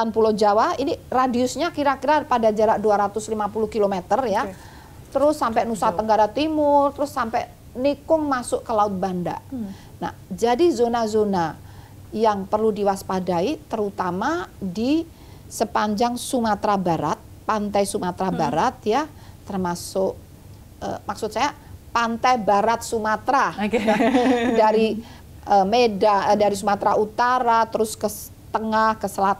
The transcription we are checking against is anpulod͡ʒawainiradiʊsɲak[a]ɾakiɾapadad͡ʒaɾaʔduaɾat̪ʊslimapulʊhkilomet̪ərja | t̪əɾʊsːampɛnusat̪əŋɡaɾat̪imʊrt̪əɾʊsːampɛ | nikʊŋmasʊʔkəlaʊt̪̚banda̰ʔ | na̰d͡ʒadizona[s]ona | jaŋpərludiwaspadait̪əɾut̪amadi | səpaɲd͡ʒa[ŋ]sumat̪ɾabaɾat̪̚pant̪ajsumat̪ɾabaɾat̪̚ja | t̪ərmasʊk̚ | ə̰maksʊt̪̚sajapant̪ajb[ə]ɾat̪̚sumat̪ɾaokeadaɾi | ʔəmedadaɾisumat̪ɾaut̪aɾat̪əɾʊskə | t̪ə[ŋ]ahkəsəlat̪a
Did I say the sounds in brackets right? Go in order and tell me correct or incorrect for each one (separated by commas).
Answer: incorrect, incorrect, correct, incorrect, correct